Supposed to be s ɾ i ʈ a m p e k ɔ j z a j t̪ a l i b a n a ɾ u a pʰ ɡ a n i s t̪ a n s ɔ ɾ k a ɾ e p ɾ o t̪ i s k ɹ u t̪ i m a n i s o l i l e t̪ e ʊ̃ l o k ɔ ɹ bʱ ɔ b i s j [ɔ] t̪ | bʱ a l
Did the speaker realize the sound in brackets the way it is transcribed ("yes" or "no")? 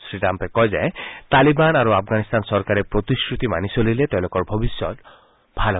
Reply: yes